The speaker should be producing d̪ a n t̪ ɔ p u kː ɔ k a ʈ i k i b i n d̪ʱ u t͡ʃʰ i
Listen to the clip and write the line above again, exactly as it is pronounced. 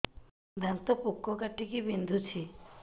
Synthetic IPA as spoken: d̪ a n t̪ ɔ p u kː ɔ k a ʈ i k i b i n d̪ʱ u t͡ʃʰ i

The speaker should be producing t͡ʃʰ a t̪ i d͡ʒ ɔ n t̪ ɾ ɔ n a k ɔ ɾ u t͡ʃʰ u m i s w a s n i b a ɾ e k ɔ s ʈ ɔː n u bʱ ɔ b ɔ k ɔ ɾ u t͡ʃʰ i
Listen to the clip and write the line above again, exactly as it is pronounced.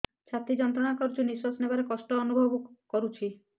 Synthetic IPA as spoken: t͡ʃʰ a t̪ i d͡ʒ ɔ n t̪ ɾ ɔ n a k ɔ ɾ u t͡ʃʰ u n i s w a s n e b a ɾ e k ɔ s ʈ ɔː n u bʱ ɔ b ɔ k ɔ ɾ u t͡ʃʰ i

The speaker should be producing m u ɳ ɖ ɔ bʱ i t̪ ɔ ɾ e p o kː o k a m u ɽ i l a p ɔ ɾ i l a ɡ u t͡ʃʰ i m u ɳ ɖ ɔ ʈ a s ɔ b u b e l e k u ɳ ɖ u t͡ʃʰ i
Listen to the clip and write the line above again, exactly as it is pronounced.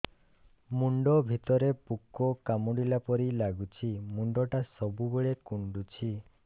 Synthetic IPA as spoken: m u ɳ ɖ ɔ bʱ i t̪ ɔ ɾ e p u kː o k a m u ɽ i l a p ɔ ɾ i l a ɡ u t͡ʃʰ i m u ɳ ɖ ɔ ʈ a s ɔ b u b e ɭ e k u ɳ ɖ u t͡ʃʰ i

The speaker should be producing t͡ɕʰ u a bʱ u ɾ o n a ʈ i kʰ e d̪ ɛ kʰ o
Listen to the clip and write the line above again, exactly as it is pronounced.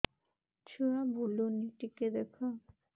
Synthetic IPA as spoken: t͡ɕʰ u a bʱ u l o n i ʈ i k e d̪ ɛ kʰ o

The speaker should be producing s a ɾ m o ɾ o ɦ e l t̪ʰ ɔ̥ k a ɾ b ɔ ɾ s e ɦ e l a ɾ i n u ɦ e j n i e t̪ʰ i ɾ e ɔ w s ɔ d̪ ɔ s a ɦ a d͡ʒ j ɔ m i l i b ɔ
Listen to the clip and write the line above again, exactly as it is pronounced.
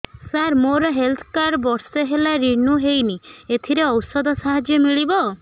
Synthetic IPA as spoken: s a ɾ m o ɾ ɔ ɦ e l t̪ʰ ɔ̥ k a ɾ b ɔ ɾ s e ɦ e l a ɾ i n u ɦ e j n i e t̪ʰ i ɾ e ɔ w s ɔ d̪ ɔ s a ɦ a d͡ʒ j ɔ m i ɭ i b ɔ

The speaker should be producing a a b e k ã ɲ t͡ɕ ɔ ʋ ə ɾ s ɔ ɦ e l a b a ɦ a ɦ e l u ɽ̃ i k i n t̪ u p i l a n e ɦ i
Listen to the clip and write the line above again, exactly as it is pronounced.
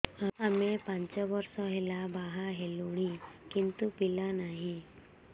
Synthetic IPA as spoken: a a m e p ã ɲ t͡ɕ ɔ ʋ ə ɾ s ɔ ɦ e l a b a ɦ a ɦ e l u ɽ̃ i k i n t̪ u p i l a n a ɦ i

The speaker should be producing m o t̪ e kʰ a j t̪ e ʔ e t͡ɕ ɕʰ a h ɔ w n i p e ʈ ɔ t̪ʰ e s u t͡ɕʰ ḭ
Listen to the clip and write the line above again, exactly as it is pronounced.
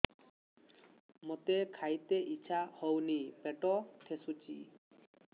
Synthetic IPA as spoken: m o t̪ e kʰ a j t̪ e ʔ i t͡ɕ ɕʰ a h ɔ w n i p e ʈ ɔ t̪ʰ e s u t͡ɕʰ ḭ

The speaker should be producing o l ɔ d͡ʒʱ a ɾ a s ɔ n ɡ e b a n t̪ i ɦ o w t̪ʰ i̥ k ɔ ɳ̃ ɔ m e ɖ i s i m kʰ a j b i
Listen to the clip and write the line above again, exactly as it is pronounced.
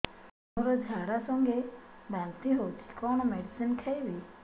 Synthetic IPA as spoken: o ɾ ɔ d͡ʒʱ a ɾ a s ɔ ŋ ɡ e b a n t̪ i ɦ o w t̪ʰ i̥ k ɔ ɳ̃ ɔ m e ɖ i s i n kʰ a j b i

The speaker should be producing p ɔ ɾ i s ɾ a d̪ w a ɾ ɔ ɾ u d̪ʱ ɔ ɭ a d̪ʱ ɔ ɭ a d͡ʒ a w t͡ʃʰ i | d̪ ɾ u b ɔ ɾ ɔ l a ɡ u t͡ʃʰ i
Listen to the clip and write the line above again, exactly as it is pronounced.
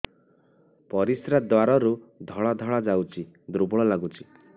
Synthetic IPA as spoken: p ɔ ɾ i s ɾ a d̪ w a ɾ ɔ ɾ u d̪ʱ ɔ ɭ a d̪ʱ ɔ ɭ a d͡ʒ a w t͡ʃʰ i | d̪ ɾ u b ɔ ɭ ɔ l a ɡ u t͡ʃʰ i

